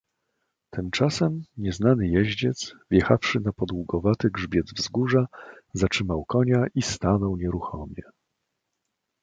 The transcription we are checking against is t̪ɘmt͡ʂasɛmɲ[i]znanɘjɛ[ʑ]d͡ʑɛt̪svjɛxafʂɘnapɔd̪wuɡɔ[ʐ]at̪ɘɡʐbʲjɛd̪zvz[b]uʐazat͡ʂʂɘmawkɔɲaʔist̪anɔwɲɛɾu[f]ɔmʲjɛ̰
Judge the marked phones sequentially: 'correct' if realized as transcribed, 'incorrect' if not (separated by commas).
incorrect, correct, incorrect, incorrect, incorrect